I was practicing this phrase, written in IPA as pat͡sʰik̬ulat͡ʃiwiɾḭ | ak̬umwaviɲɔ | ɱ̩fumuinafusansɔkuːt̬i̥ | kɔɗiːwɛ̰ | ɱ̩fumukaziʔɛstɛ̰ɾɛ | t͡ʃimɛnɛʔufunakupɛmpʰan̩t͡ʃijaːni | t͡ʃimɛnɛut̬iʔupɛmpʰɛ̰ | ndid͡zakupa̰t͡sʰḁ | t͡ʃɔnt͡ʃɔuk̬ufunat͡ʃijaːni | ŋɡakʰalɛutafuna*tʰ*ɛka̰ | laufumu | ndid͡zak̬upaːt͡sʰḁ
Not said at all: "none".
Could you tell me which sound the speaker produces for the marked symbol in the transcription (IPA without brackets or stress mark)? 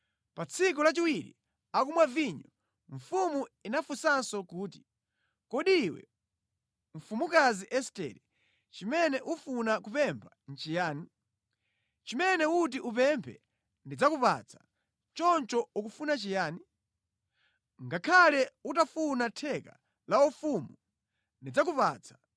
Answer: tʰ